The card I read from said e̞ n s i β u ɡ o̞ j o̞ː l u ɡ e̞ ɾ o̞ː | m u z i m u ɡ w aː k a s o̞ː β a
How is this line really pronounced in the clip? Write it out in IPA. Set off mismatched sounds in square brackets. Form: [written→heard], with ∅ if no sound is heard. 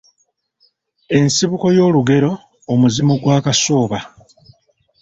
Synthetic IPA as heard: e̞ n s i β u [ɡ→k] o̞ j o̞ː l u ɡ e̞ ɾ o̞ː | m u z i m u ɡ w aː k a s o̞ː β a